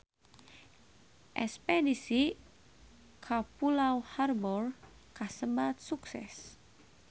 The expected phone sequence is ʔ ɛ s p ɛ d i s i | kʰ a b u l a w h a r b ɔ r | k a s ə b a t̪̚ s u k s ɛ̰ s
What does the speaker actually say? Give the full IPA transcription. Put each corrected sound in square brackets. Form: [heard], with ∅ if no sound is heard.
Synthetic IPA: ʔ ɛ s p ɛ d i s i | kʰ a [p] u l a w h a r b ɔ r | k a s ə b a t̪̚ s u k s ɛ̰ s